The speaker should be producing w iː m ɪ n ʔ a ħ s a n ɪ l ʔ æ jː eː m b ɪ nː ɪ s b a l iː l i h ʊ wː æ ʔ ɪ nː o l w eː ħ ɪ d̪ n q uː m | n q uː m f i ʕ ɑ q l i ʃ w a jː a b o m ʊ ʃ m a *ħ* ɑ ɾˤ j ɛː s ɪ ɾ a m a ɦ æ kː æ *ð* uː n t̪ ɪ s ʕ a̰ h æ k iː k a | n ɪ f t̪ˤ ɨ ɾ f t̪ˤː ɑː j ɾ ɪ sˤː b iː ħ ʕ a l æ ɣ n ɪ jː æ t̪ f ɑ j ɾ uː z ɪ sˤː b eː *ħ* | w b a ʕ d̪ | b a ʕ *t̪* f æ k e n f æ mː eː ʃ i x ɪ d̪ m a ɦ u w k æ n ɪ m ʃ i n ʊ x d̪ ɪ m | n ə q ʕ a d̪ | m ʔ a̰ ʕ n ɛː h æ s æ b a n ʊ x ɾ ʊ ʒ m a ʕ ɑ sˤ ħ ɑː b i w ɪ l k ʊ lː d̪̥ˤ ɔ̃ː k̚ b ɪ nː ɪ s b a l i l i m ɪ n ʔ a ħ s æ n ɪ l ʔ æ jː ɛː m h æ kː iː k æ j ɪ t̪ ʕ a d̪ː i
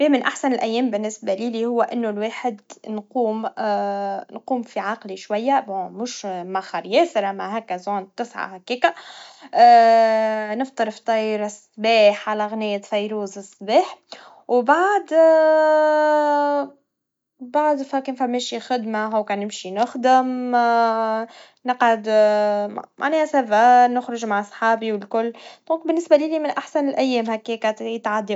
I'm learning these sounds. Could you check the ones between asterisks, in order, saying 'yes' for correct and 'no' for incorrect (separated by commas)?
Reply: no, no, yes, no